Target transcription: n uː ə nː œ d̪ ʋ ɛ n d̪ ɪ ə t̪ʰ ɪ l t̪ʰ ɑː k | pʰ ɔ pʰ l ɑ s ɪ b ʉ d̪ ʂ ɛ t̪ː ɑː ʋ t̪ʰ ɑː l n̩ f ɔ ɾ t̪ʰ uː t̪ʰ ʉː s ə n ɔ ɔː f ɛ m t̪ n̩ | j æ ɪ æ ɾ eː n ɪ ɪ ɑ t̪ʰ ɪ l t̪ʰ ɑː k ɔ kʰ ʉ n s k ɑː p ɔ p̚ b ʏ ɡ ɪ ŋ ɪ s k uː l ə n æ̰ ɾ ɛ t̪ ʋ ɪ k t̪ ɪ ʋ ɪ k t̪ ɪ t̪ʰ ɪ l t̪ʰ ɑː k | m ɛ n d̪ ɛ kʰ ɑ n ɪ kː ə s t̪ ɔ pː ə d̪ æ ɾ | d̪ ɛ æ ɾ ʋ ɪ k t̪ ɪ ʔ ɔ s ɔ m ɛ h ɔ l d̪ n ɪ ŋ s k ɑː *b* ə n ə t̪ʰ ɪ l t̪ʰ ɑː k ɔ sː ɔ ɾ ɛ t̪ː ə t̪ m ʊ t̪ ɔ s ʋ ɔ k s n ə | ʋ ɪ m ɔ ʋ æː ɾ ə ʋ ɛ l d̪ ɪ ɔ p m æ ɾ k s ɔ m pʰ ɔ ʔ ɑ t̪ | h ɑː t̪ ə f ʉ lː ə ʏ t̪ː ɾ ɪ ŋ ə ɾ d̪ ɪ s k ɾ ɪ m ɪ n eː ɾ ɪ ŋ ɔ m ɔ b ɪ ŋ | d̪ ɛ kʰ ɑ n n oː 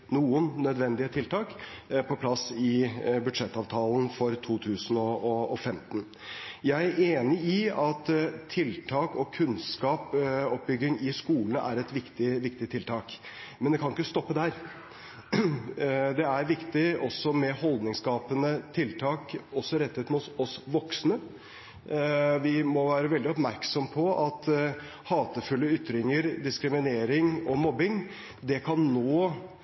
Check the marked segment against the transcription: incorrect: p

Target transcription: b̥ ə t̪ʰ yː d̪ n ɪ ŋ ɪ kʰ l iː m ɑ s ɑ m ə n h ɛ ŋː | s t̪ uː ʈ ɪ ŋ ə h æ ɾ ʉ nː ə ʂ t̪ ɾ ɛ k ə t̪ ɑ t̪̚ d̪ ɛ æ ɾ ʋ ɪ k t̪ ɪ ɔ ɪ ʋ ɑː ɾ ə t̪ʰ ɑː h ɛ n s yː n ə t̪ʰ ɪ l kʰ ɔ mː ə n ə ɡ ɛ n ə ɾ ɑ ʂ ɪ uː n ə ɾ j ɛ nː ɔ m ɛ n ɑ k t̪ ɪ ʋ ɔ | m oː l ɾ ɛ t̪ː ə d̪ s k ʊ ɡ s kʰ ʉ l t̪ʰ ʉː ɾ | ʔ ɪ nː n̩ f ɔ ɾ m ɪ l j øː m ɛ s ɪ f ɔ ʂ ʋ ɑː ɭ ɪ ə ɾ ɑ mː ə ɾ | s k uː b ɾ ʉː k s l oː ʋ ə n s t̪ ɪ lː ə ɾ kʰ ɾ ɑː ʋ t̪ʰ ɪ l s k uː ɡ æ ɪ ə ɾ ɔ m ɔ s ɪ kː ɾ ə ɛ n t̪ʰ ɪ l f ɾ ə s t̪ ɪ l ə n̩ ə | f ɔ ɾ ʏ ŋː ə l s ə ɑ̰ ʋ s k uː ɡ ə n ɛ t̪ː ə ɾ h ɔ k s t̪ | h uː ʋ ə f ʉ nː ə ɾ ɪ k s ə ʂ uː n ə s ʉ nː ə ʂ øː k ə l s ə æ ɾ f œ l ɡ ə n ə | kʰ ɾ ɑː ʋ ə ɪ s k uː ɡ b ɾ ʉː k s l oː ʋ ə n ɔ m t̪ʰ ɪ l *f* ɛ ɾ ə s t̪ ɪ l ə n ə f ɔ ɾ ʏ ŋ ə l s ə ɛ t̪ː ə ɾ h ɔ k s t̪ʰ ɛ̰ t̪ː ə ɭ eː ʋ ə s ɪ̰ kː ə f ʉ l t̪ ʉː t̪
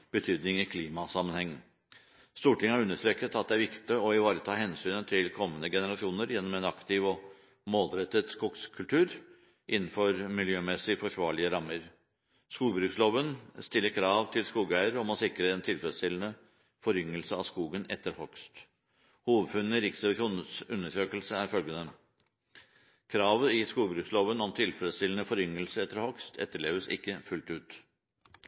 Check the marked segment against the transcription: correct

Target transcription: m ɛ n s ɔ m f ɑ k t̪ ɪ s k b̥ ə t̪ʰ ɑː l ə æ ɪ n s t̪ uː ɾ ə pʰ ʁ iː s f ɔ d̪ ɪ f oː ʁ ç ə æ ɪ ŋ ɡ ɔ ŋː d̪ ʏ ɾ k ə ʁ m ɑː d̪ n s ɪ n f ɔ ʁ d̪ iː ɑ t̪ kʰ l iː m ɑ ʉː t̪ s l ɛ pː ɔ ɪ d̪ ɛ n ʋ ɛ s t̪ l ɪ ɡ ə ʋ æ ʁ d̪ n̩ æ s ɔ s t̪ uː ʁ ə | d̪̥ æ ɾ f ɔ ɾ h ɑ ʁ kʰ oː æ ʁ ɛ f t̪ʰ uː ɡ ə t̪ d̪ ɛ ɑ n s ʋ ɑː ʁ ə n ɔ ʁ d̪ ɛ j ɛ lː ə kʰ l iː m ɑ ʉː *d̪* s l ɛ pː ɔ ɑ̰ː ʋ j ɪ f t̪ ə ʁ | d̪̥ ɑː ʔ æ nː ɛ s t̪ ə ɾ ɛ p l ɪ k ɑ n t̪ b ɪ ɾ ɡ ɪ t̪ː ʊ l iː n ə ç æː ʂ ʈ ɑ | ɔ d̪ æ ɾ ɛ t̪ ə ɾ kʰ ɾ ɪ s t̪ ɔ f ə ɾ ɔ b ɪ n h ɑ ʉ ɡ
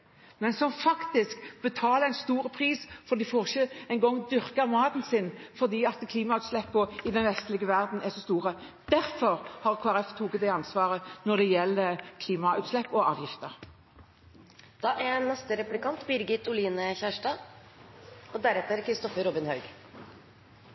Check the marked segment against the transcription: incorrect: t̪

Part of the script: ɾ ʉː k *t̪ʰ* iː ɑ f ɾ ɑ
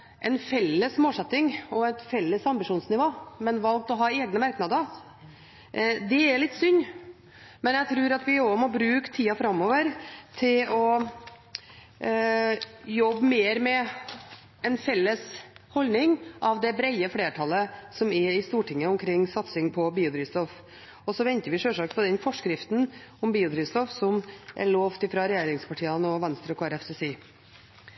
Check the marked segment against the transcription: correct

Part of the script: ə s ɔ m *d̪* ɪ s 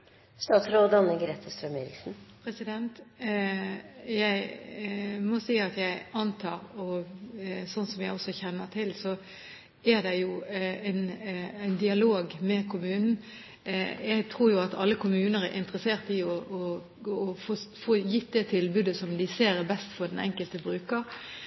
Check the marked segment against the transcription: correct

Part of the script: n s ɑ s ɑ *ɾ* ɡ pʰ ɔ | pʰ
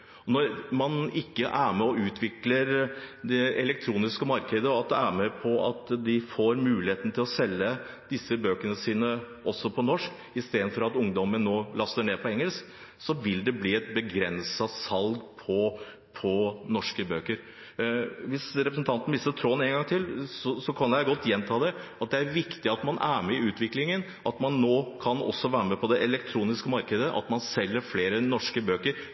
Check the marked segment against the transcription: incorrect: l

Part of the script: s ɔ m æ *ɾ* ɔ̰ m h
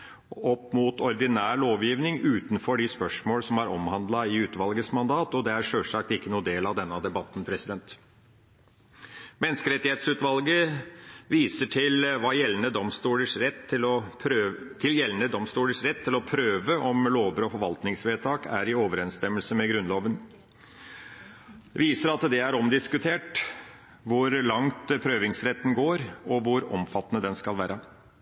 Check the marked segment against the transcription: correct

